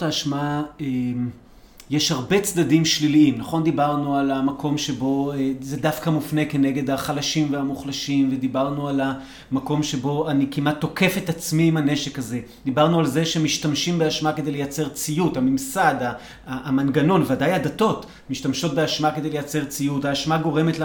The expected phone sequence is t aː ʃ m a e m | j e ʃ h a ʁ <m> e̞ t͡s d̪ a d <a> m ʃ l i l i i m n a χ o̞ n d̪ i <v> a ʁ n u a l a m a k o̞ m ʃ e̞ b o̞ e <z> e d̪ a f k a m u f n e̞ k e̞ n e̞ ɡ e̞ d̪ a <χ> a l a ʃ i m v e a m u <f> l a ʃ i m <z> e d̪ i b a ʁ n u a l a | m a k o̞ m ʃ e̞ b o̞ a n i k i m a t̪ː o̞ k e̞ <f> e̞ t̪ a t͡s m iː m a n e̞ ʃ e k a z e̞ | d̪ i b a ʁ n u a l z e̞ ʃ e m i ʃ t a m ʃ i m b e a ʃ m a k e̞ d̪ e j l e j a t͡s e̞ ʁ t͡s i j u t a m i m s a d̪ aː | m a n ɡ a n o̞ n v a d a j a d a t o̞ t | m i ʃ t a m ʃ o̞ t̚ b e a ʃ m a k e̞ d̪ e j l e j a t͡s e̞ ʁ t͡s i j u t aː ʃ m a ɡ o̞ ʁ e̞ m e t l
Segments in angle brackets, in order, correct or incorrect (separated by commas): incorrect, incorrect, incorrect, correct, correct, incorrect, incorrect, correct